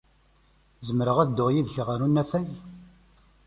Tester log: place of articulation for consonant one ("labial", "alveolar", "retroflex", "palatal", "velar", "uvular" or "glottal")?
alveolar